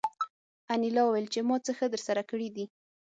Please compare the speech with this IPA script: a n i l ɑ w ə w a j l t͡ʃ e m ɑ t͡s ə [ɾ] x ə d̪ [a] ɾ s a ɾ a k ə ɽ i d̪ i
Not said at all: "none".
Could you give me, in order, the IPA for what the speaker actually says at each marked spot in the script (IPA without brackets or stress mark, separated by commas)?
none, ə